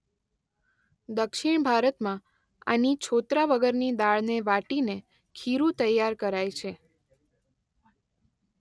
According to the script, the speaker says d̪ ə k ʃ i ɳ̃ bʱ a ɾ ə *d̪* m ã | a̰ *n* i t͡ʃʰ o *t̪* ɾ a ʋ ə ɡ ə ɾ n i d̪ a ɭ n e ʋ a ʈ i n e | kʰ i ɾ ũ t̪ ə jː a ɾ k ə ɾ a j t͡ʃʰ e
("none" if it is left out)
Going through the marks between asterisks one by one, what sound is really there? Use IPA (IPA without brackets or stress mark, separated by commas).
t̪, n, t̪